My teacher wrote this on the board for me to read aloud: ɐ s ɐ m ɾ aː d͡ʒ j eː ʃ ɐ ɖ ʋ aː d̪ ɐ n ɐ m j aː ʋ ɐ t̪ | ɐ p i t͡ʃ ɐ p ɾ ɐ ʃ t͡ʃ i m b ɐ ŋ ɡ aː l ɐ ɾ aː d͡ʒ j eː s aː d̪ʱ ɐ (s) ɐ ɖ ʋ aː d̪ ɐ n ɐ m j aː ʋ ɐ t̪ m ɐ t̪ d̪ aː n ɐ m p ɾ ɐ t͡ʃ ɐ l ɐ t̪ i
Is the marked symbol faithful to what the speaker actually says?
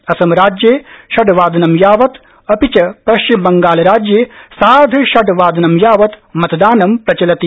no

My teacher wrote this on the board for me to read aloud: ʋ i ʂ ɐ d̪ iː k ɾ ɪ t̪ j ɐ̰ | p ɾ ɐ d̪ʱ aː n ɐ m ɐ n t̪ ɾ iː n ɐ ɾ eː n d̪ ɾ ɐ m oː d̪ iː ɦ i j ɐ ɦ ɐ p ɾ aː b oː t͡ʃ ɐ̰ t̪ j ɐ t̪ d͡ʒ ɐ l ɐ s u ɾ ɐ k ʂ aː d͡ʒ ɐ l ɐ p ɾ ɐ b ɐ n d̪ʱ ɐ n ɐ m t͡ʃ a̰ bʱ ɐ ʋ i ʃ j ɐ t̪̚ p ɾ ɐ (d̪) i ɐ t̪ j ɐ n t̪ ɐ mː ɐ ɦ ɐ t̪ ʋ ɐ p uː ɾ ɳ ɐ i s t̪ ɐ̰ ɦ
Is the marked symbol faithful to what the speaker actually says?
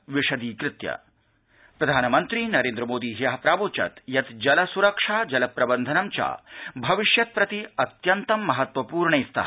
no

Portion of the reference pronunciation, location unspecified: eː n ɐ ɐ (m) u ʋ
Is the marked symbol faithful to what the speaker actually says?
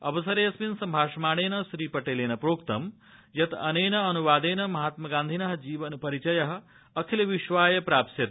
no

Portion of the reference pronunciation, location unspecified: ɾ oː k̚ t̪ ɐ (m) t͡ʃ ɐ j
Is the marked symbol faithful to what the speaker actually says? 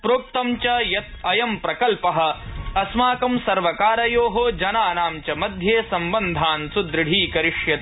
yes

